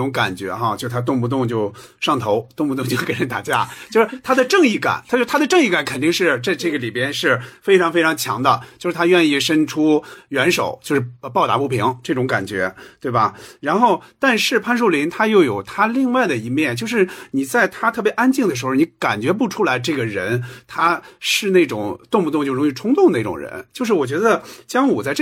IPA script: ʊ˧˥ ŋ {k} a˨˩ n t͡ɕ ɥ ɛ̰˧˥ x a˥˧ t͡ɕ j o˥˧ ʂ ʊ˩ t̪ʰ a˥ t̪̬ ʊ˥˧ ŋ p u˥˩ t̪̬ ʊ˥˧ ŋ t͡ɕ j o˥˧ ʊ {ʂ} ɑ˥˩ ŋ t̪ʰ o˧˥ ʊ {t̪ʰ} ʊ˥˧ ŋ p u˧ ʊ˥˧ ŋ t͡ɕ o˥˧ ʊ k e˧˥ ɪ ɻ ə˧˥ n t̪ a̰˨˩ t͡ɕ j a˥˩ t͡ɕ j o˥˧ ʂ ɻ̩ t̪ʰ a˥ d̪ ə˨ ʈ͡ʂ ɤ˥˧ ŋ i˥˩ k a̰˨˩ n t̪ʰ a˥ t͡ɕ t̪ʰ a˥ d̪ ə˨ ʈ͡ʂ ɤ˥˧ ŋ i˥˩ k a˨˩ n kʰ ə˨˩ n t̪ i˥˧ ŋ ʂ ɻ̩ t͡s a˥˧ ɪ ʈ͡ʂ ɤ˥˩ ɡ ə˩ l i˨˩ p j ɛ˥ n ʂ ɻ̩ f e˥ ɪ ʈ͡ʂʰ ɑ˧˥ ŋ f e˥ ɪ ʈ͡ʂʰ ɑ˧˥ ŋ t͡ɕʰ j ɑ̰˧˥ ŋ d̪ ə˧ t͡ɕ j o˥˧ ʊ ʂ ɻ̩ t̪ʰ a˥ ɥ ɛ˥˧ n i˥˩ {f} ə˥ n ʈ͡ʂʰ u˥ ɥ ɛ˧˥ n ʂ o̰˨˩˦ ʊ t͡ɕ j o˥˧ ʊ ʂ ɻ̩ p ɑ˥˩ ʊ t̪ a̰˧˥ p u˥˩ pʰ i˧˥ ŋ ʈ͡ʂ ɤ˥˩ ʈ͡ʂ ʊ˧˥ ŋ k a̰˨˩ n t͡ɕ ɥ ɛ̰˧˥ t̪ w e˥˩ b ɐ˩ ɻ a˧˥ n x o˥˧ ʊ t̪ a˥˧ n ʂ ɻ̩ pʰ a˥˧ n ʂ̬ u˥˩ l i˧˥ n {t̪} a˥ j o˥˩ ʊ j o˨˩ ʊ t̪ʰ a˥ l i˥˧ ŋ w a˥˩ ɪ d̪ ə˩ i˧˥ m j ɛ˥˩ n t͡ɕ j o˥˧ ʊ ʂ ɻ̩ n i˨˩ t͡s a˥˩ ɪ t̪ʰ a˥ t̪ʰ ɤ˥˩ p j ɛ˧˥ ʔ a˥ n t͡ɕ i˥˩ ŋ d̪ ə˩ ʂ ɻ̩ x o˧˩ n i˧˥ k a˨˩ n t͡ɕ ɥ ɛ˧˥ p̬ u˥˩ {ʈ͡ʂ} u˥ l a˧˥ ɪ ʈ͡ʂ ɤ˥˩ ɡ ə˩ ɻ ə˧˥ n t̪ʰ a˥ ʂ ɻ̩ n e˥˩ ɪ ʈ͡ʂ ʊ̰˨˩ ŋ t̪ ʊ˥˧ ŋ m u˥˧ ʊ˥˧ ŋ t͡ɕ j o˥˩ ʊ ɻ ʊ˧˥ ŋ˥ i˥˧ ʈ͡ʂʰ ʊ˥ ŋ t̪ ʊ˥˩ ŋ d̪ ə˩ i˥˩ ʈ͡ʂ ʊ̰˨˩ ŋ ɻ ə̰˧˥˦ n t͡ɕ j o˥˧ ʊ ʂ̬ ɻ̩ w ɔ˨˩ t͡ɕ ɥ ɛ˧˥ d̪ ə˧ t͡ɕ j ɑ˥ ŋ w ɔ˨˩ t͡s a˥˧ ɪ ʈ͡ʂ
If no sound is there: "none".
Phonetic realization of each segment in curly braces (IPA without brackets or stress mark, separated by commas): k, ʂ, t̪, ʂ, t̪ʰ, ʈ͡ʂʰ